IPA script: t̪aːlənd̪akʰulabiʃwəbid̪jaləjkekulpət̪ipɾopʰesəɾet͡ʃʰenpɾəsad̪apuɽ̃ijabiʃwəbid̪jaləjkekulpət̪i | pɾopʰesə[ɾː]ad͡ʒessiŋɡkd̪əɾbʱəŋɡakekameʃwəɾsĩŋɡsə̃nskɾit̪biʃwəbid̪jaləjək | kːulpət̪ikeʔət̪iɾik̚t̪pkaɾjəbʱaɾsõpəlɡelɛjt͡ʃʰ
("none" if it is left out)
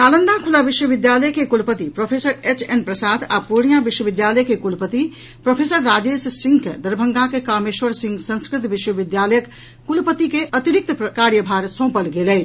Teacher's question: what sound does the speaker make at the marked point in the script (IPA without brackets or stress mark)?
ɾː